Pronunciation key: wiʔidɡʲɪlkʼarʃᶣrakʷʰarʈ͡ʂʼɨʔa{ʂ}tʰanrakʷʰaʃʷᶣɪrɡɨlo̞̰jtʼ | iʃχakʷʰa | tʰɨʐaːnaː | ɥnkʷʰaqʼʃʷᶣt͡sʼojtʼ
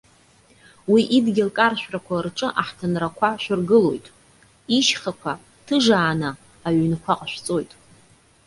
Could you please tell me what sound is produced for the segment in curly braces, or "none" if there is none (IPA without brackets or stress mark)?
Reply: ħ